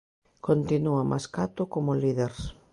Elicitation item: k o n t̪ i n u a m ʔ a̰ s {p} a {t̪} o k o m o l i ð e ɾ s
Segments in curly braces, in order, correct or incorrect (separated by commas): incorrect, correct